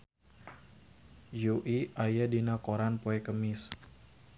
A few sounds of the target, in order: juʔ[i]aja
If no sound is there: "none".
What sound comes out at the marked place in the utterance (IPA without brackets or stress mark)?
i